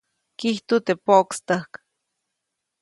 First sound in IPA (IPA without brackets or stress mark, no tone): k